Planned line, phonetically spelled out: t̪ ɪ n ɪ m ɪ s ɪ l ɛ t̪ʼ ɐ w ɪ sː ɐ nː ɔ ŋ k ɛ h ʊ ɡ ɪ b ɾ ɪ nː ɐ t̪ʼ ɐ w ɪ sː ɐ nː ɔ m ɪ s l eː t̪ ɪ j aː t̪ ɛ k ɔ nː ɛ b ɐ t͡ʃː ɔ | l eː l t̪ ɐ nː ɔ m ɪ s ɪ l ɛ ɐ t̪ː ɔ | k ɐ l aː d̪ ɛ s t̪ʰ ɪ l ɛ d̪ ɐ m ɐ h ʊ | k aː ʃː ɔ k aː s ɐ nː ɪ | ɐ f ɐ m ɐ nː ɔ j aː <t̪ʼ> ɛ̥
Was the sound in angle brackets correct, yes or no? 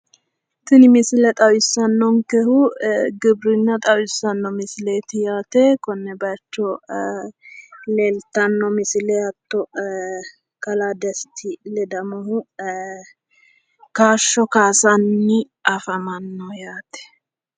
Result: no